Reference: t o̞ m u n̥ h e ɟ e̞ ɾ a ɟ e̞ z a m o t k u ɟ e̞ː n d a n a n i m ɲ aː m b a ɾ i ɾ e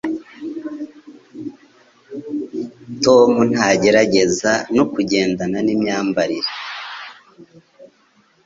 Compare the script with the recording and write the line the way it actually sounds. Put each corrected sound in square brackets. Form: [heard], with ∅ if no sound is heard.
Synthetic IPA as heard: t o̞ m u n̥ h [a] ɟ e̞ ɾ a ɟ e̞ z a [n] o [∅] k u ɟ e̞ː n d a n a n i m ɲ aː m b a ɾ i ɾ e